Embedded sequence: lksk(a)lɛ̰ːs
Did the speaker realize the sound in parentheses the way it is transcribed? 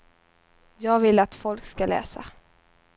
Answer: yes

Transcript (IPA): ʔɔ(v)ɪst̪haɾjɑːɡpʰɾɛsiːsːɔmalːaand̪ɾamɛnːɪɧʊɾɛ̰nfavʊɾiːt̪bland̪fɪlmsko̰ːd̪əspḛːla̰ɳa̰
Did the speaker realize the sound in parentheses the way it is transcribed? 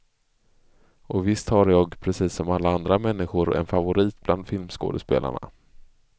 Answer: yes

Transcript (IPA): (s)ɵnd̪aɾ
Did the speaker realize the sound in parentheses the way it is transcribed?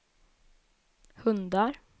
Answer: no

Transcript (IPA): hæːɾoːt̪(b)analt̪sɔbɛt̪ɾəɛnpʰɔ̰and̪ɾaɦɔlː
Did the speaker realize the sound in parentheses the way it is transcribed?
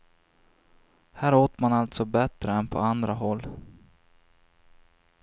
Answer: no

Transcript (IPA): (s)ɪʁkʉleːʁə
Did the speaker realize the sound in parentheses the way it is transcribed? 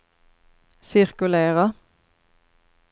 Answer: yes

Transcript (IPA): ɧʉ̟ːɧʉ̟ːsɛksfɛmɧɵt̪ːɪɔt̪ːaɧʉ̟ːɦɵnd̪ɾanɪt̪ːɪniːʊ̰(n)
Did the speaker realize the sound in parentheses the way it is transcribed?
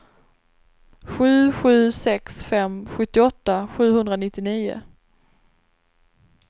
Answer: no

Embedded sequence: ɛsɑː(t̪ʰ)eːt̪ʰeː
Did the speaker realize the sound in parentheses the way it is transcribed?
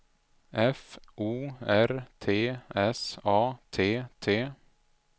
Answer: yes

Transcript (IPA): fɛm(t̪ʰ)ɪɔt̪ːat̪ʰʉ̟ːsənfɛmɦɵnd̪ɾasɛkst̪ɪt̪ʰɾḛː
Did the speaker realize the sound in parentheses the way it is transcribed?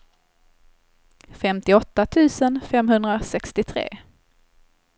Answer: no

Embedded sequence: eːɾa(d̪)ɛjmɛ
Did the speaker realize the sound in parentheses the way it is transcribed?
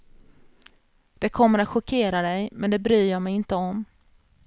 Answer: yes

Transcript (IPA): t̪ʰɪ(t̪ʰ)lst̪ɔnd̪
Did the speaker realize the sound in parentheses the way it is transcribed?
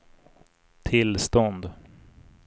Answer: no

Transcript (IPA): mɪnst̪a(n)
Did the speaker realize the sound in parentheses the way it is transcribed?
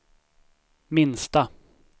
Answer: no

